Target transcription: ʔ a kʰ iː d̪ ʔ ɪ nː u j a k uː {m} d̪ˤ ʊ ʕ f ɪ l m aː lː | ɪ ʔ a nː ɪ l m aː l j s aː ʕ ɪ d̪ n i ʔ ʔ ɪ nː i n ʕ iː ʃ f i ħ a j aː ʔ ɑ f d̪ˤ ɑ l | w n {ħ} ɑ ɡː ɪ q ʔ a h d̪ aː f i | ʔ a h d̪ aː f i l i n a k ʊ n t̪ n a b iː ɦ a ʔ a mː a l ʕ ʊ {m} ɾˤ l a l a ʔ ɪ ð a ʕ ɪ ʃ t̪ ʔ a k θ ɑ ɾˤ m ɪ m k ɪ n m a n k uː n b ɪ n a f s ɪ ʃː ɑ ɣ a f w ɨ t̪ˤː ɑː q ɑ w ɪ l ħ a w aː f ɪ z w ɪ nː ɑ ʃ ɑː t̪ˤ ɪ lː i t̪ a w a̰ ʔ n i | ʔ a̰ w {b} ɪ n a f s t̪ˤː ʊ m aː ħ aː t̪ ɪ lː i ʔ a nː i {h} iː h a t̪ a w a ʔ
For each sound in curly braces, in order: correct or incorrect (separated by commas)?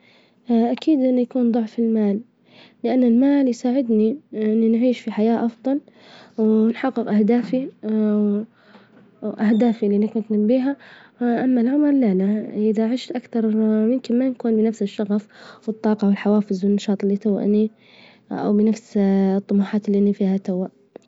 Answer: incorrect, correct, correct, correct, incorrect